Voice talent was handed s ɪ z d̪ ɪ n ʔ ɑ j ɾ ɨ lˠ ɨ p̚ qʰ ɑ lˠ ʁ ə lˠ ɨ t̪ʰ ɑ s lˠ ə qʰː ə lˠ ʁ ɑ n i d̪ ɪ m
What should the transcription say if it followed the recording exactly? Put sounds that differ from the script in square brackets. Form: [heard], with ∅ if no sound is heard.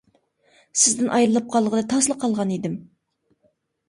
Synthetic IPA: s ɪ z d̪ ɪ n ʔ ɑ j ɾ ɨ lˠ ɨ p̚ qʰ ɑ lˠ ʁ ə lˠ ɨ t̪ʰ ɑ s lˠ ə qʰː [ɑ] lˠ ʁ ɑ n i d̪ ɪ m